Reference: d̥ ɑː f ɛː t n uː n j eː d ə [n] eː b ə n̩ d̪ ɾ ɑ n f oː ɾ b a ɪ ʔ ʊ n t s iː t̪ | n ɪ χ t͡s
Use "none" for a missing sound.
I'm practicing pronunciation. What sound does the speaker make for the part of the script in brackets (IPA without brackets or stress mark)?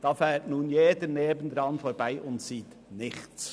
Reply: n